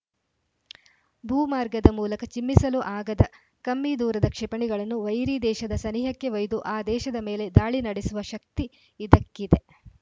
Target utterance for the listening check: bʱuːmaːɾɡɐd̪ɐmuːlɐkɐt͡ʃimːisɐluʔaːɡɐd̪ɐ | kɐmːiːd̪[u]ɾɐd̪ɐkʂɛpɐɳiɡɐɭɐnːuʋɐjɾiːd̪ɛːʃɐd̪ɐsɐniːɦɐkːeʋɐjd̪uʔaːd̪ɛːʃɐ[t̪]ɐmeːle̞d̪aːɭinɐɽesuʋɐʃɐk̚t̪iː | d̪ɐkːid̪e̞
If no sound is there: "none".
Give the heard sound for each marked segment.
uː, d̪

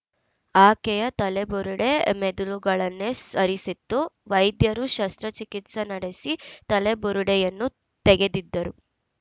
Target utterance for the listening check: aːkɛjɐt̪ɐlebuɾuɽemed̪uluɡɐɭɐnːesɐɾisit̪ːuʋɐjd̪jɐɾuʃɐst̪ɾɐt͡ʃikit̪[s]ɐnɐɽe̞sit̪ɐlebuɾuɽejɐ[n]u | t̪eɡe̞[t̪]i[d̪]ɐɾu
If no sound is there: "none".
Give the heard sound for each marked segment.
s, nː, d̪, d̪ː

